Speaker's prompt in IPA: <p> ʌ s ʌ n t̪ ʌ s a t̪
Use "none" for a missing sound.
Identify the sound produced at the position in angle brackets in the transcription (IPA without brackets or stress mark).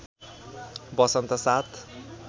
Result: b